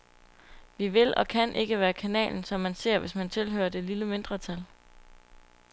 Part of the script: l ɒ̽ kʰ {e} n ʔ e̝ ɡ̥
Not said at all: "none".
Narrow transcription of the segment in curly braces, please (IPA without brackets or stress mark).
æ